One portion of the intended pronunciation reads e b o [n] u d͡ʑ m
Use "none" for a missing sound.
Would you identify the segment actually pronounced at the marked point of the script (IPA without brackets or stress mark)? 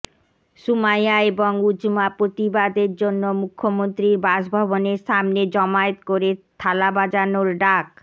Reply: ŋ